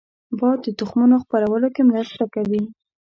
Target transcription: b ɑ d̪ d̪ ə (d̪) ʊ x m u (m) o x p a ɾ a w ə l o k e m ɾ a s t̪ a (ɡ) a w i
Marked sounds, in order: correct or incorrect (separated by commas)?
incorrect, incorrect, incorrect